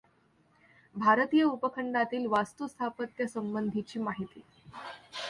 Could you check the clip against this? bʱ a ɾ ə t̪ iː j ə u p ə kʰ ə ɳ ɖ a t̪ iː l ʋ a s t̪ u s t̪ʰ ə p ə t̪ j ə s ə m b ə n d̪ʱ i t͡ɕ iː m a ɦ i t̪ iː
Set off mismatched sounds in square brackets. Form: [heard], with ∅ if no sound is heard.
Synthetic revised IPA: bʱ a ɾ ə t̪ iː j ə u p ə kʰ ə ɳ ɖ a t̪ iː l ʋ a s t̪ u s t̪ʰ [a] p ə t̪ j ə s ə m b ə n d̪ʱ i t͡ɕ iː m a ɦ i t̪ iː